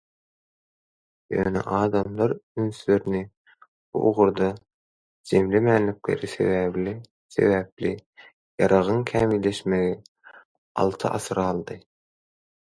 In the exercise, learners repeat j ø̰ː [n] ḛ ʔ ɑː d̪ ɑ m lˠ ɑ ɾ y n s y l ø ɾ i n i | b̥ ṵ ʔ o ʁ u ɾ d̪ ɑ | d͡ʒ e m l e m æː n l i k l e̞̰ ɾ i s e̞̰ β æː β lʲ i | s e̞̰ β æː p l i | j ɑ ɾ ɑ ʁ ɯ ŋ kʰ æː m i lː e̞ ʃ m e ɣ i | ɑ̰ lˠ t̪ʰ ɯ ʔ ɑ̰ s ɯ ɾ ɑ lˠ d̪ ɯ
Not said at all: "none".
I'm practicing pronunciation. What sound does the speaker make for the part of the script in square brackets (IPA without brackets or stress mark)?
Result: n